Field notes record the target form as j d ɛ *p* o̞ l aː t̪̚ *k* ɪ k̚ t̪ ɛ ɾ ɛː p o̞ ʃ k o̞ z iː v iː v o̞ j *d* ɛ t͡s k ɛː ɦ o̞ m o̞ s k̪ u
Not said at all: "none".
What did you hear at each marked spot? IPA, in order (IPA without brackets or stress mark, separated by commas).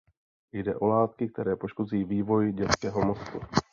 ʔ, k, ɟ